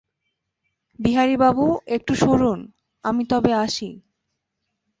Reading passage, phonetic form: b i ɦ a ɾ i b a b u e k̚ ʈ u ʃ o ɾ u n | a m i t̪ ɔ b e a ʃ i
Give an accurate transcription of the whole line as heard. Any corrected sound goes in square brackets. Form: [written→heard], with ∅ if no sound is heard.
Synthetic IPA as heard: b i ɦ a ɾ i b a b u e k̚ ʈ u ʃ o ɾ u n | a m i t̪ ɔ b e a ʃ i